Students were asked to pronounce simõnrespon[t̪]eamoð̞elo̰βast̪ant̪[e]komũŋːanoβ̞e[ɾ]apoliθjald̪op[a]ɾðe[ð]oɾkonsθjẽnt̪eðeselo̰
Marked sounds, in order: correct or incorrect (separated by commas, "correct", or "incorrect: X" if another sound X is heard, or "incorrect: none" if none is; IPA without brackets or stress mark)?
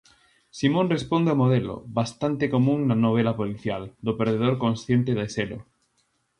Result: incorrect: d̪, correct, incorrect: l, incorrect: e, correct